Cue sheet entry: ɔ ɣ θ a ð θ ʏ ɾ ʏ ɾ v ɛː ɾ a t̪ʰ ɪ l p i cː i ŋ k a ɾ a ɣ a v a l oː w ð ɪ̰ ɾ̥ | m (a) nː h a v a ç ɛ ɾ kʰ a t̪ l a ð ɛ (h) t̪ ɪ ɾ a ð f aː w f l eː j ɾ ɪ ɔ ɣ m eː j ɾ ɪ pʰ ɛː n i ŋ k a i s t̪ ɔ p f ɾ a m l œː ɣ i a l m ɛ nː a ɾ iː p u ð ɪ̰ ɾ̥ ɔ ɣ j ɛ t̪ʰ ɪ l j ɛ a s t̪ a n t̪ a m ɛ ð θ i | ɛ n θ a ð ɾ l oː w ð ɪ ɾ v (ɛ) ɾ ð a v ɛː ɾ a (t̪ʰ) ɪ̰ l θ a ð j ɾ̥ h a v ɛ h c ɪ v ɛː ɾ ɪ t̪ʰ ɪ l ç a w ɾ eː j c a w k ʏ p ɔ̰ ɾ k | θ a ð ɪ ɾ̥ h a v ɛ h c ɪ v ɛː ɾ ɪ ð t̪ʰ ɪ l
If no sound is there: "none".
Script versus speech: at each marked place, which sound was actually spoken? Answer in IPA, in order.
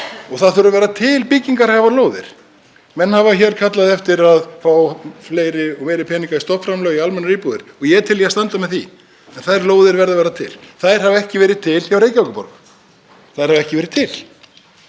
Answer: ɛ, f, ɛ, t̪ʰ

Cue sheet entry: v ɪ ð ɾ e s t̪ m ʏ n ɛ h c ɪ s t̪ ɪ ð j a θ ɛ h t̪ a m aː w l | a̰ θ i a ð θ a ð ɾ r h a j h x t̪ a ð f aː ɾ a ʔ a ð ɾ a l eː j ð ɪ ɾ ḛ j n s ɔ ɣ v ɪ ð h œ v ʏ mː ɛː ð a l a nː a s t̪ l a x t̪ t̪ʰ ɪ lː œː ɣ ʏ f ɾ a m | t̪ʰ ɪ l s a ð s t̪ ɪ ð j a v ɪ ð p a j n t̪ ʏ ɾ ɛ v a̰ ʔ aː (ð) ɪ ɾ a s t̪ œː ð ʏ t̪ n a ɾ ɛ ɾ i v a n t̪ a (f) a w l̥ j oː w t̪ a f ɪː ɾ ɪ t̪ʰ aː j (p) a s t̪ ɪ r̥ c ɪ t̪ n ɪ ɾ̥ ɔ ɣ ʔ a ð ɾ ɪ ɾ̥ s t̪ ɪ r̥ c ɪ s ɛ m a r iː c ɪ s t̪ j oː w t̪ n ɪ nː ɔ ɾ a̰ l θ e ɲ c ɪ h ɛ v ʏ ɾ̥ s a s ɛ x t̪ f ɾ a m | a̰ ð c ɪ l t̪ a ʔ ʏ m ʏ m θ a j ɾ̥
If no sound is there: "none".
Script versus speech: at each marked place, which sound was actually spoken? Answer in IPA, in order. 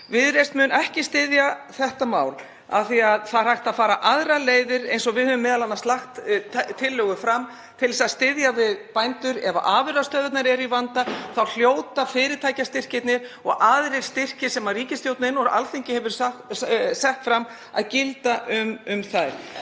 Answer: v, θ, c

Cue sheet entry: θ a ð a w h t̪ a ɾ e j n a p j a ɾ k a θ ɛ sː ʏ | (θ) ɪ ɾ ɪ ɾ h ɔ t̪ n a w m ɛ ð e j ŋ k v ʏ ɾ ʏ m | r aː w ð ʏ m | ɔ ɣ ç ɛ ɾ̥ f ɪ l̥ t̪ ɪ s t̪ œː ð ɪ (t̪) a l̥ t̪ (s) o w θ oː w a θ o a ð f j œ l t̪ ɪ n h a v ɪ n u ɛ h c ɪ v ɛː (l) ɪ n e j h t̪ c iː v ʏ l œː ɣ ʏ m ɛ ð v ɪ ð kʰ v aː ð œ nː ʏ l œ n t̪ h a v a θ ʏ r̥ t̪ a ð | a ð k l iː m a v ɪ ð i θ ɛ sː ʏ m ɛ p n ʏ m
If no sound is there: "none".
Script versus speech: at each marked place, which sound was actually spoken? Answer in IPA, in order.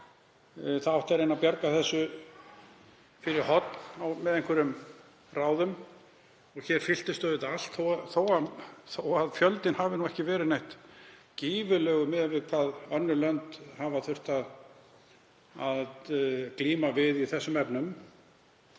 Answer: f, t̪, θ, ɾ

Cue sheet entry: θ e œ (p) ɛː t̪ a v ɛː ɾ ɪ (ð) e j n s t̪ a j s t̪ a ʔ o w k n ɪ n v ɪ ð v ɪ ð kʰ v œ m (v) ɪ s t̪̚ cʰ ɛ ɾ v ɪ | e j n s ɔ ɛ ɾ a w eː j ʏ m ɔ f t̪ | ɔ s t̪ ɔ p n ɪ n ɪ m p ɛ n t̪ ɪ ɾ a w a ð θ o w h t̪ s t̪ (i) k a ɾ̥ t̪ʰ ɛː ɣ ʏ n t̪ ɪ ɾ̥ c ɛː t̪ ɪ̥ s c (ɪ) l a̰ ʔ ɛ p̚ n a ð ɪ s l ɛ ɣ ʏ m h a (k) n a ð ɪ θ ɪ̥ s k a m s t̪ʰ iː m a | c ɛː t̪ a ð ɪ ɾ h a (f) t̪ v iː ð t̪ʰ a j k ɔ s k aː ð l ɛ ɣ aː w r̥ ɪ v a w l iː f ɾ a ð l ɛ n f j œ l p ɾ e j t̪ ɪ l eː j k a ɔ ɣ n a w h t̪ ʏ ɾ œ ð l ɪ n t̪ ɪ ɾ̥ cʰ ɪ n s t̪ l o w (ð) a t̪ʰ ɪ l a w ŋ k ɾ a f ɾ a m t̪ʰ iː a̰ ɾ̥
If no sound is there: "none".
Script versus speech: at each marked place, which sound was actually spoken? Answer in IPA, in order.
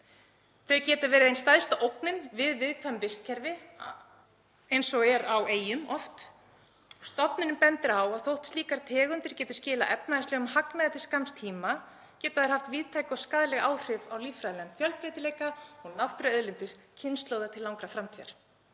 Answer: c, ð, v, iː, ɪː, k, f, ð

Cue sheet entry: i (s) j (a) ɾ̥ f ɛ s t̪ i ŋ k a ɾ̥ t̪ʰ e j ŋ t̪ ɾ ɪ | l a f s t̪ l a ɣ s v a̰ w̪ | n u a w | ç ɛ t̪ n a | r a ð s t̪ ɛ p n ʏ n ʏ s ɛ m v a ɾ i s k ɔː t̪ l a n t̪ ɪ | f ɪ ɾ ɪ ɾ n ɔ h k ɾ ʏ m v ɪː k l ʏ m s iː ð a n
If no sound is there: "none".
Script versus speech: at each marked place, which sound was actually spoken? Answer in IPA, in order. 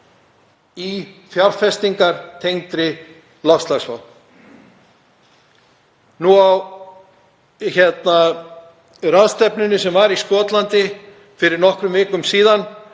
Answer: f, a

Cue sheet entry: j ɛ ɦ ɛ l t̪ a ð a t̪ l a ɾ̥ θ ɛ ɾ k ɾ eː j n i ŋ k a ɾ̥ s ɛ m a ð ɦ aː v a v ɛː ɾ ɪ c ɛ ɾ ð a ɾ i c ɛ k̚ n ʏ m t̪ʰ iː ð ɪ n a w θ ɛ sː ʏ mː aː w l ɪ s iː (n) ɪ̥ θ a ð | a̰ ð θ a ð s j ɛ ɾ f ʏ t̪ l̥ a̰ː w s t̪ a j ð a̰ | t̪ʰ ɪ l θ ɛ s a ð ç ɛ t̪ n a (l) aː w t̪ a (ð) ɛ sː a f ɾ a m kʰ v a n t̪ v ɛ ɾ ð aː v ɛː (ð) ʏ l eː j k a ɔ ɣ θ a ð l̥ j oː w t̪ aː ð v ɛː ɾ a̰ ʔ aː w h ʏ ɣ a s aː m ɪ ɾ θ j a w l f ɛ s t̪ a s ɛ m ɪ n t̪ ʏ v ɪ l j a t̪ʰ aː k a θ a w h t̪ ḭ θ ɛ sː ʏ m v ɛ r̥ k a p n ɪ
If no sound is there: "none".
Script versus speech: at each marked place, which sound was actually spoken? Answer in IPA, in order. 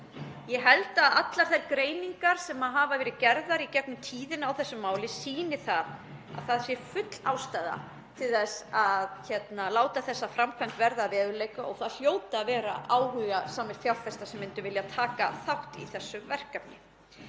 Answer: n, l, θ, ð

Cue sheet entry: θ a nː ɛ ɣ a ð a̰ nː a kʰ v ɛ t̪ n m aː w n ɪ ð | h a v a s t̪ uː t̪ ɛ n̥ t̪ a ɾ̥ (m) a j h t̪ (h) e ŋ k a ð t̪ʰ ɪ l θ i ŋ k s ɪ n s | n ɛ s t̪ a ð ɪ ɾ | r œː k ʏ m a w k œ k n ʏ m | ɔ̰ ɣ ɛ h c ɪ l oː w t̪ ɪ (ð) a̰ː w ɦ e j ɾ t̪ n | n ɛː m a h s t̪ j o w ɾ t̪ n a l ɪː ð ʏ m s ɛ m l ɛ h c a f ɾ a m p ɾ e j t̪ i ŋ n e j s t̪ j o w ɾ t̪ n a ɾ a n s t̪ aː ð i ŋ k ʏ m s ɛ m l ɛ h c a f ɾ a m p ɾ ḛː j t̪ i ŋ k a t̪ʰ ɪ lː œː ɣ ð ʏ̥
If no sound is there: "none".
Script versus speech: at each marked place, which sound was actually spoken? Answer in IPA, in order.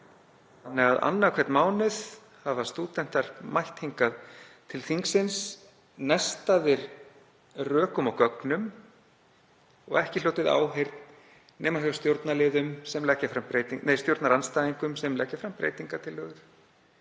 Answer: m, h, ð

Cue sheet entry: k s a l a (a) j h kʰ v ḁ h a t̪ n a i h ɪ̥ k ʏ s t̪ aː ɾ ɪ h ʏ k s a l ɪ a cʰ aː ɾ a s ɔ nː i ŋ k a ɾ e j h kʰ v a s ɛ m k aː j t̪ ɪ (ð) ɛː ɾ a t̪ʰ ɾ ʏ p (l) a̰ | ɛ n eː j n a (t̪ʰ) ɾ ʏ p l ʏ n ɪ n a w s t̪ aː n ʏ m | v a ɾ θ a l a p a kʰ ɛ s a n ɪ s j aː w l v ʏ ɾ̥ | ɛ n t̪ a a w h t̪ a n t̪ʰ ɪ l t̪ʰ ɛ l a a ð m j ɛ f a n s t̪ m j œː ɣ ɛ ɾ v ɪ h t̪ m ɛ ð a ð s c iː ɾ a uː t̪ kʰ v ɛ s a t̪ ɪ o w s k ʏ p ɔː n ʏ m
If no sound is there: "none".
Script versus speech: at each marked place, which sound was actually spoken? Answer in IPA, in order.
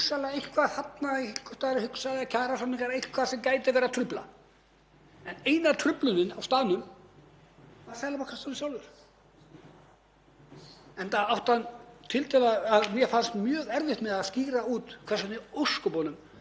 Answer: e, v, l, t̪ʰ

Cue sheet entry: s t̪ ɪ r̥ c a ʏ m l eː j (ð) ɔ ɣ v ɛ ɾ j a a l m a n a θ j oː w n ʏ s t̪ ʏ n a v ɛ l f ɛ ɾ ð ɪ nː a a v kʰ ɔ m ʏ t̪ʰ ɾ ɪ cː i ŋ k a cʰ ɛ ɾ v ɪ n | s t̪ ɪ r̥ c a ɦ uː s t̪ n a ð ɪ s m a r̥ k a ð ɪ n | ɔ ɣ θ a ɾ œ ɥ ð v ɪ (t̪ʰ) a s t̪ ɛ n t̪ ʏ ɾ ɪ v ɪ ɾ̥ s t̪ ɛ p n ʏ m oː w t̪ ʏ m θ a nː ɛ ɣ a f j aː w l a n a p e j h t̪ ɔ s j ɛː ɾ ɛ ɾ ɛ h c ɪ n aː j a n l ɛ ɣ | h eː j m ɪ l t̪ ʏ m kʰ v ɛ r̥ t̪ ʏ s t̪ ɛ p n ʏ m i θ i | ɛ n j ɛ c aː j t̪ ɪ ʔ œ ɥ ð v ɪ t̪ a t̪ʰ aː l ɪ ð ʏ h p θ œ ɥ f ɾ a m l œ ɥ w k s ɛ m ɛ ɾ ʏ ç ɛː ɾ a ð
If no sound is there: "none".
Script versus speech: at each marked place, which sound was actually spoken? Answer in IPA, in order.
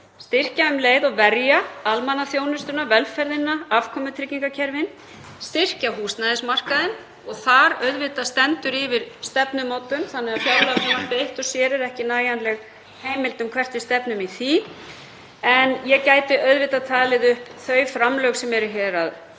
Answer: ð, t̪

